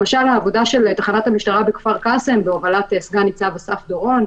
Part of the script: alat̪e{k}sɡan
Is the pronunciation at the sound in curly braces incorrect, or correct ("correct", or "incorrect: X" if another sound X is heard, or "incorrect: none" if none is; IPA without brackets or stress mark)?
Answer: incorrect: none